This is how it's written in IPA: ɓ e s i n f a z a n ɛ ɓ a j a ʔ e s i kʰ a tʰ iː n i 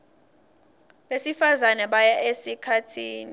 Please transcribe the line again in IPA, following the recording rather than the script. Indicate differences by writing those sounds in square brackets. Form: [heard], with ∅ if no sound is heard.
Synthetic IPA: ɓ e s i [∅] f a z a n ɛ ɓ a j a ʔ e s i kʰ a tʰ iː n i